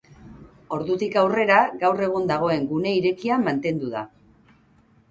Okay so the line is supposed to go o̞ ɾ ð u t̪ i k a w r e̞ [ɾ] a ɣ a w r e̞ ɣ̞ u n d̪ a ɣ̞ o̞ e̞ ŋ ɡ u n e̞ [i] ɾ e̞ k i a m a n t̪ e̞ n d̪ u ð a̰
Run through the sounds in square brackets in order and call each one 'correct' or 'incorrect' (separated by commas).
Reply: correct, correct